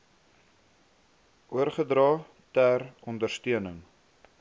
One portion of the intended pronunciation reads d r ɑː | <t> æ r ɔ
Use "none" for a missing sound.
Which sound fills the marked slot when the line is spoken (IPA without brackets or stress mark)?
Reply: t